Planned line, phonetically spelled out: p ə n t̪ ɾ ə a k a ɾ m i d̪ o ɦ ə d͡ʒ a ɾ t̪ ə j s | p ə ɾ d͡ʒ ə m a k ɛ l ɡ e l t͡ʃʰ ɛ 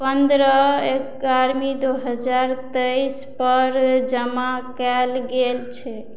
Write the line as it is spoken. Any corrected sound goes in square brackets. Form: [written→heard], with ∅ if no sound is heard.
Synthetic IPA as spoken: p ə n [t̪→d̪] ɾ ə [a→e] k a ɾ m i d̪ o ɦ ə d͡ʒ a ɾ t̪ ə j s | p ə ɾ d͡ʒ ə m a k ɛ l ɡ e l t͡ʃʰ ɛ